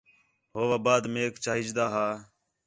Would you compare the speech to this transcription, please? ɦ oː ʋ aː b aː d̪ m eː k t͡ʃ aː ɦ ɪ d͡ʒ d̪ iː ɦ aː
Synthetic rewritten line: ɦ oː ʋ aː b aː d̪ m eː k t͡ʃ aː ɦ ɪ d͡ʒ d̪ aː ɦ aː